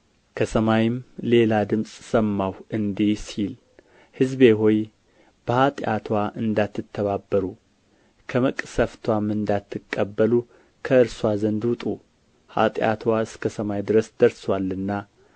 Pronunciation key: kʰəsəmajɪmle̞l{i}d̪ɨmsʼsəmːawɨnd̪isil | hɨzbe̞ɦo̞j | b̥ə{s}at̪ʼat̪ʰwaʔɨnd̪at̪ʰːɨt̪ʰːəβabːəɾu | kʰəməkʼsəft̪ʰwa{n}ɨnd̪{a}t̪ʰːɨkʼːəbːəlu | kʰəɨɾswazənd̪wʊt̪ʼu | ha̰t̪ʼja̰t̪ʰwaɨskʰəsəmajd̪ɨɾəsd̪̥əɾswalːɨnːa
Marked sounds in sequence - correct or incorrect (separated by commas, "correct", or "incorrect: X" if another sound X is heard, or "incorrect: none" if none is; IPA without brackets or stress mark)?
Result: incorrect: a, incorrect: h, incorrect: m, correct